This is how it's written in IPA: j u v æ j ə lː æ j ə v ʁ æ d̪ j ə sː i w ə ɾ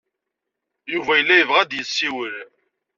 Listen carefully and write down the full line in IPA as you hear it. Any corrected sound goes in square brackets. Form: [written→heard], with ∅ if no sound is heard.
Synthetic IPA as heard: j u v æ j ə lː æ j ə v ʁ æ d̪ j ə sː i w ə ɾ